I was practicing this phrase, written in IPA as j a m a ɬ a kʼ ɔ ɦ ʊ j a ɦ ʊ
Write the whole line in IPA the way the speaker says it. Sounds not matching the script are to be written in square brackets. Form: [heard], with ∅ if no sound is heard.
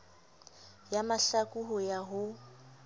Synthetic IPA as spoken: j a m a ɬ a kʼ [u] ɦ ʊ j a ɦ ʊ